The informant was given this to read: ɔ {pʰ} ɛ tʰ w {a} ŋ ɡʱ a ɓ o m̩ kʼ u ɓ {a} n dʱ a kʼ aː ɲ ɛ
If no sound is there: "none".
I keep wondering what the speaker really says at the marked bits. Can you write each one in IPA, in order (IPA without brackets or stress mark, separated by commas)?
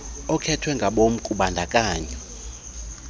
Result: kʰ, ɛ, a